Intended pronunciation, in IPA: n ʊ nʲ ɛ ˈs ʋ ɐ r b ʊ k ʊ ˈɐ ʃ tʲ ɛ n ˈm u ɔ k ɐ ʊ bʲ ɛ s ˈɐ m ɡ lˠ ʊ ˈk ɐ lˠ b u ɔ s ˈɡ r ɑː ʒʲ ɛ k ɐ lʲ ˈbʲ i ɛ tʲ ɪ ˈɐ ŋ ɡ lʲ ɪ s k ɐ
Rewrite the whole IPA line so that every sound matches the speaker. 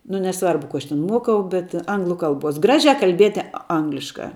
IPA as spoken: n ʊ nʲ ɛ ˈs ʋ ɐ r b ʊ k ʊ ˈɐ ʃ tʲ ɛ n ˈm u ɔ k ɐ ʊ bʲ ɛ t ˈɐ ŋ ɡ lˠ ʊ ˈk ɐ lˠ b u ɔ s ˈɡ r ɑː ʒʲ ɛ k ɐ lʲ ˈbʲ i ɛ tʲ ɪ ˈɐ ŋ ɡ lʲ ɪ ʃ k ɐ